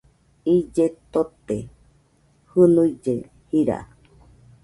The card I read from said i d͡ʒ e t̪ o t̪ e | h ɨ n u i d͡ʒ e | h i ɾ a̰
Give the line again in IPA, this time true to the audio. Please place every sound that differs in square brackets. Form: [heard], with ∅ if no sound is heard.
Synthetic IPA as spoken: i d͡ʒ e t̪ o t̪ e | h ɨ n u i d͡ʒ e | h i ɾ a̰